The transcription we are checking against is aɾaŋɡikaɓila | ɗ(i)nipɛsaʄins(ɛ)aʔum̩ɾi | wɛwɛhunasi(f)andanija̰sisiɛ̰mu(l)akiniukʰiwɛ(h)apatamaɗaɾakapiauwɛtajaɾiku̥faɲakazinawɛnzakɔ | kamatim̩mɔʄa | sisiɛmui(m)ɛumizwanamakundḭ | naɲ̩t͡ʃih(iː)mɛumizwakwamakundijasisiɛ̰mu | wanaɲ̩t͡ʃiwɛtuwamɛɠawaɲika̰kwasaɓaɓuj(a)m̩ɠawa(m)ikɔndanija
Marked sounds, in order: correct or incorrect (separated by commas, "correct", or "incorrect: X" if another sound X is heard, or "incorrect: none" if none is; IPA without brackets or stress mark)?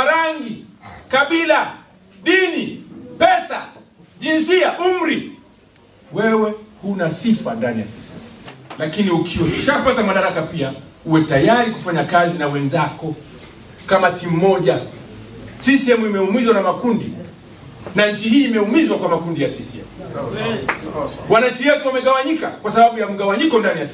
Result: correct, incorrect: i, correct, correct, incorrect: ʃ, correct, correct, correct, incorrect: ɲ